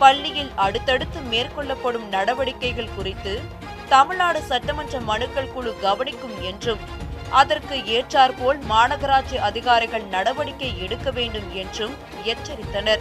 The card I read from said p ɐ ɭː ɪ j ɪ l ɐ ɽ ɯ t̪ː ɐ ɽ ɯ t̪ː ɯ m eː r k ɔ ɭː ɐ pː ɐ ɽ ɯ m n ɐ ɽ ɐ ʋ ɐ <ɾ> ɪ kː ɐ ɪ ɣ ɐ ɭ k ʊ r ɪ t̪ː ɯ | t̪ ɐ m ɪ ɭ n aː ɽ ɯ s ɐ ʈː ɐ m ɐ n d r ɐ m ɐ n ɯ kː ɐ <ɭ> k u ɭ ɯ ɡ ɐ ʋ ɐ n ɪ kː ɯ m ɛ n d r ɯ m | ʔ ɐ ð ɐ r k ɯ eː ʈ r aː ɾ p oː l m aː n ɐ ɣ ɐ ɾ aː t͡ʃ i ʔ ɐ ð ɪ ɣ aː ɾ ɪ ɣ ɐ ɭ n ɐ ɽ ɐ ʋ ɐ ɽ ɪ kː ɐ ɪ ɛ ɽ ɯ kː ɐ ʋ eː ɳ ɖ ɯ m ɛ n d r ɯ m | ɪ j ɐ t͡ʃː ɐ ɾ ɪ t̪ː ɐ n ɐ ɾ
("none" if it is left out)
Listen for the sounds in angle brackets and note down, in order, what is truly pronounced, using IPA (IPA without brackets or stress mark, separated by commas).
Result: ɽ, ɭ